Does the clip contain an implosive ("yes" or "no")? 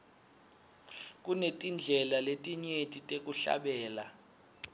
yes